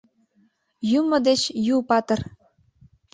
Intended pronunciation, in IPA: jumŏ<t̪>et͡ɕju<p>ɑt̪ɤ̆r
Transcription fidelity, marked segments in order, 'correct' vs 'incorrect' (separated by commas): incorrect, correct